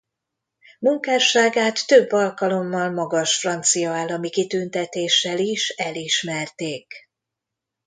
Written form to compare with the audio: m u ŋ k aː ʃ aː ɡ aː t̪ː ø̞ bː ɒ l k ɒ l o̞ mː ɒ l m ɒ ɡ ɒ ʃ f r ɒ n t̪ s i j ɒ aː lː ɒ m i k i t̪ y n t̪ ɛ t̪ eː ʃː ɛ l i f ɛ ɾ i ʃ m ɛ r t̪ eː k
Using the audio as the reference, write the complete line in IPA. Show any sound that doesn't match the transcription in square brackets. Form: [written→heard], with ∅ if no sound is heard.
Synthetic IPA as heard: m u ŋ k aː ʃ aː ɡ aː t̪ː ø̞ bː ɒ l k ɒ l o̞ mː ɒ l m ɒ ɡ ɒ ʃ f r ɒ n t̪ s i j ɒ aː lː ɒ m i k i t̪ y n t̪ ɛ t̪ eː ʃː ɛ l i [f→ʃ] ɛ [ɾ→l] i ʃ m ɛ r t̪ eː k